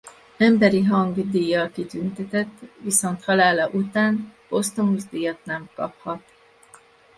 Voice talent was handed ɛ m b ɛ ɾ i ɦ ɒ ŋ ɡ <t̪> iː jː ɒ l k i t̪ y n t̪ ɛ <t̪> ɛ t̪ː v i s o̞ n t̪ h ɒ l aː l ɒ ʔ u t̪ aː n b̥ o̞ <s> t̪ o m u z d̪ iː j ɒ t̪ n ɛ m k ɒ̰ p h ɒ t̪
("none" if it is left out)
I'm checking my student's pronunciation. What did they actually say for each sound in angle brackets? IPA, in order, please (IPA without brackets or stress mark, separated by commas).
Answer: d̪, t̪, s